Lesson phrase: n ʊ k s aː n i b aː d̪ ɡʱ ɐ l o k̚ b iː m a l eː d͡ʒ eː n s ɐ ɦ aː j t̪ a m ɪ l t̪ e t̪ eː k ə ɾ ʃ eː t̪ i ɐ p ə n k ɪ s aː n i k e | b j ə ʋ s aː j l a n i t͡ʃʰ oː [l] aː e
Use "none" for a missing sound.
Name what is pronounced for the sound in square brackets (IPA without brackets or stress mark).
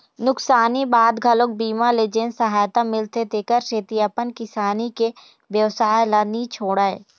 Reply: ɽ